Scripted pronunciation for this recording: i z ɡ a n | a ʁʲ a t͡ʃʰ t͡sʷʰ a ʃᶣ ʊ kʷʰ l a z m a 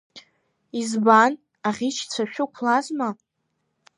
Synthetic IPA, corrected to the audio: i z b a n | a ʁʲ i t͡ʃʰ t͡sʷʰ a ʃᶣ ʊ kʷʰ l a z m a